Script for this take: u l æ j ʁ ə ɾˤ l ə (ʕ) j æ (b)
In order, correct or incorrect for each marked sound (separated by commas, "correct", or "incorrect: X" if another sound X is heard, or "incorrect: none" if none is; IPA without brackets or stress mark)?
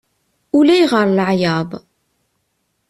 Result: correct, correct